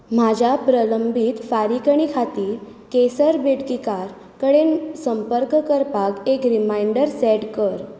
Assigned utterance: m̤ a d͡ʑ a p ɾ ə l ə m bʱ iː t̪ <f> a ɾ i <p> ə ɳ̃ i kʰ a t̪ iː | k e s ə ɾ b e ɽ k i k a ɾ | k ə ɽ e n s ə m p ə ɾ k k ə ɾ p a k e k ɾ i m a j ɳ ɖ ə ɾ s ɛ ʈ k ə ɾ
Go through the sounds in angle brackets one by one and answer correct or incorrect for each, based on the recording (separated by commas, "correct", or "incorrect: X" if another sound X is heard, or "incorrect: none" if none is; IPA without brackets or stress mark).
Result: correct, incorrect: k